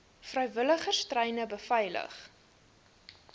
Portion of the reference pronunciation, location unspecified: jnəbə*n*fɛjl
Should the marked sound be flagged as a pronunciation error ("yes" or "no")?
yes